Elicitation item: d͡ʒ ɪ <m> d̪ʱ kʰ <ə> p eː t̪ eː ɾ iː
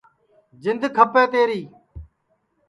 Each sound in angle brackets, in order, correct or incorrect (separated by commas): incorrect, correct